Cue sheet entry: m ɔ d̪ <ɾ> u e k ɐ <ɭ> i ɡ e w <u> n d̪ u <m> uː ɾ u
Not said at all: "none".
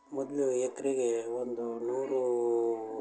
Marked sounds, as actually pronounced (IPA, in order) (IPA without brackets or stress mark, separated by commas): l, ɾ, o, n